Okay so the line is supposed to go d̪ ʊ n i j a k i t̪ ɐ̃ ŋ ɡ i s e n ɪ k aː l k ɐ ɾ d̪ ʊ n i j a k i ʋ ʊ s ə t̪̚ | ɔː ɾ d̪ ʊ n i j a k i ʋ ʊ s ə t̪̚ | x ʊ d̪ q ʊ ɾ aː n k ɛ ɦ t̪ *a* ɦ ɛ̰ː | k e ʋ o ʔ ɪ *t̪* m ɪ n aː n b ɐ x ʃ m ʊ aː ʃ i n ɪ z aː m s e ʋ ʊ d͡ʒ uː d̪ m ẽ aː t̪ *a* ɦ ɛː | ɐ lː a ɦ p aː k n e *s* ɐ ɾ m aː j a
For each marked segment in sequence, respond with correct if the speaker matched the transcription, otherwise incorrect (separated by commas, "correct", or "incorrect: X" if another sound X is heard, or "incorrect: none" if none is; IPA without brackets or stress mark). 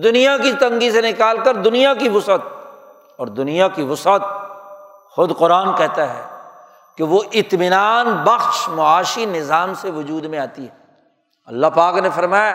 correct, correct, incorrect: i, incorrect: f